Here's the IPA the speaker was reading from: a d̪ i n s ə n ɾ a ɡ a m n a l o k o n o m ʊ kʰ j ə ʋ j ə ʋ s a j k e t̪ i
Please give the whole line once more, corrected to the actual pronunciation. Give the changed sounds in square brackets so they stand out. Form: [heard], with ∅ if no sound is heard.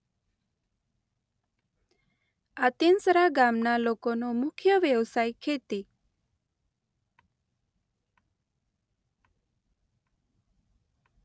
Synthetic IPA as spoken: a [t̪] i n s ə [∅] ɾ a ɡ a m n a l o k o n o m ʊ kʰ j ə ʋ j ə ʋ s a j [kʰ] e t̪ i